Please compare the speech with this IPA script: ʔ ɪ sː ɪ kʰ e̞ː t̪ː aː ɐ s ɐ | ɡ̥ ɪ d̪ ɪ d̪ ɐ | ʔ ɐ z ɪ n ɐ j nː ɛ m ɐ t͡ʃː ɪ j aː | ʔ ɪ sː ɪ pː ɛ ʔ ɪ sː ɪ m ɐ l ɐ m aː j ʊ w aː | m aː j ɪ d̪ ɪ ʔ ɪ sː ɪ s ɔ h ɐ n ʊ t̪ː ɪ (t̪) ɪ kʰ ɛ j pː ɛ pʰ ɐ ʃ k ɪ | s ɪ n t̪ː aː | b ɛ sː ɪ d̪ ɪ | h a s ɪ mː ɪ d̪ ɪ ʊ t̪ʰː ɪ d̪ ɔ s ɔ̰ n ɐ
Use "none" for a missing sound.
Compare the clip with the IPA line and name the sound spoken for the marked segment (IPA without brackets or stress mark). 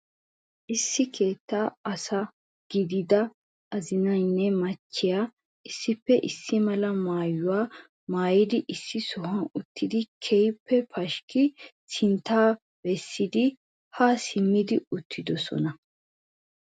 d̪